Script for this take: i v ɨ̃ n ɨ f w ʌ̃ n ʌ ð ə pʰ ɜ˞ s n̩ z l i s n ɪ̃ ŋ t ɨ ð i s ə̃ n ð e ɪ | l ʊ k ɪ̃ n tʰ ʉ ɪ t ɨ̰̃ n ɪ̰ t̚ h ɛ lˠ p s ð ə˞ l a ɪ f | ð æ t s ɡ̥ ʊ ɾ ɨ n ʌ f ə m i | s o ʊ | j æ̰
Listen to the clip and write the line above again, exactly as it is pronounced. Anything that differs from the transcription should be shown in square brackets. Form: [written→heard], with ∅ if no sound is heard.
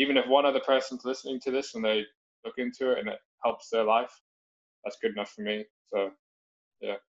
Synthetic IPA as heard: i v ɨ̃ n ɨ f w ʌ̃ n ʌ ð ə pʰ ɜ˞ s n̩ z l [i→ɪ] s n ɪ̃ ŋ [t→tʰ] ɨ ð [i→ɪ] s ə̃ n ð e ɪ | l ʊ k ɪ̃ n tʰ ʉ ɪ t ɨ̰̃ n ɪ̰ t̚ h ɛ lˠ p s ð ə˞ l a ɪ f | ð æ t s ɡ̥ ʊ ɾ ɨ n ʌ f ə m i | s o ʊ | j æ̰